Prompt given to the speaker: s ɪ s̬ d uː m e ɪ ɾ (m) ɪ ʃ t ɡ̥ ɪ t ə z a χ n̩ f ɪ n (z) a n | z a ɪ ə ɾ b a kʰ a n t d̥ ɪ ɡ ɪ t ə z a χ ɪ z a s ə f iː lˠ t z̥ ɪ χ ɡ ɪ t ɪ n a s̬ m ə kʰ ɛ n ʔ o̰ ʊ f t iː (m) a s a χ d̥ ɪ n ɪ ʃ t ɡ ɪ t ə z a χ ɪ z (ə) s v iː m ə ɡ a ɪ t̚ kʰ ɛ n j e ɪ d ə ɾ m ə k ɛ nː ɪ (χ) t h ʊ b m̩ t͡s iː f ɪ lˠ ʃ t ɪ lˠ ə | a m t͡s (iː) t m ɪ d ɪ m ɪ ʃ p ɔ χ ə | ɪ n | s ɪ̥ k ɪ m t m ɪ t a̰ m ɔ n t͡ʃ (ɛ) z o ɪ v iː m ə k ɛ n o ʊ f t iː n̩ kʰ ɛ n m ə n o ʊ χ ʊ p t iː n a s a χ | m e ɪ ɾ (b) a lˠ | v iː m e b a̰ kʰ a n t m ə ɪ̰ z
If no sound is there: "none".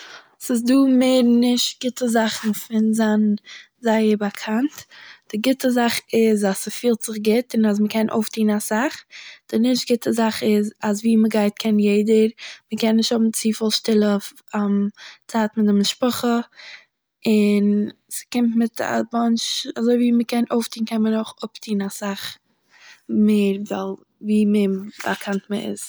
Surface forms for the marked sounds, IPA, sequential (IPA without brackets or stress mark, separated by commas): n, z, n, a, ʃ, aː, a, v